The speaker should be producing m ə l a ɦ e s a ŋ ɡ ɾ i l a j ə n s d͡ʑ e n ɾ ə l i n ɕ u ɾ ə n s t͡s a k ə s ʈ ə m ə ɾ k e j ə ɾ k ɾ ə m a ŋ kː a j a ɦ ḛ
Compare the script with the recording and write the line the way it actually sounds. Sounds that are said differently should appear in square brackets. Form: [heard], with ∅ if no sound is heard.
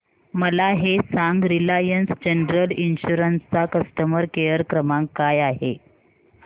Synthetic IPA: m ə l a ɦ e s a ŋ ɡ ɾ i l a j ə n s d͡ʑ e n ɾ ə l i n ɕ u ɾ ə n s t͡s a k ə s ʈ ə m ə ɾ k e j ə ɾ k ɾ ə m a ŋ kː a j a ɦ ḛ